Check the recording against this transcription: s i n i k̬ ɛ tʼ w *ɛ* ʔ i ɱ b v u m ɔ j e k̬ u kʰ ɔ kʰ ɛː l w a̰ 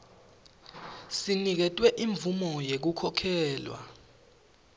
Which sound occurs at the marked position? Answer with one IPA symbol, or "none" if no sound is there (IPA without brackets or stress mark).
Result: ɛ